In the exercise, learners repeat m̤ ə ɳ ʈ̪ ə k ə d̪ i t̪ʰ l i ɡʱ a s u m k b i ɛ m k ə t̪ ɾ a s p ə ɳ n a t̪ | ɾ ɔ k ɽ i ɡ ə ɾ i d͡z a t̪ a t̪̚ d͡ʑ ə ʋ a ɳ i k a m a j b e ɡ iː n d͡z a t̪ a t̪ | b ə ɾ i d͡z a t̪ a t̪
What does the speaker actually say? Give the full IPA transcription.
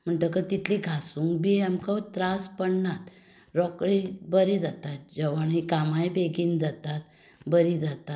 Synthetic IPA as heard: m̤ ə ɳ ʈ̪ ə k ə t̪ i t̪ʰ l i ɡʱ a s u ŋ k b i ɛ m k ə t̪ ɾ a s p ə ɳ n a t̪ | ɾ ɔ k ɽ i b ə ɾ i d͡z a t̪ a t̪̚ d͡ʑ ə ʋ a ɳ i k a m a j b e ɡ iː n d͡z a t̪ a t̪ | b ə ɾ i d͡z a t̪ a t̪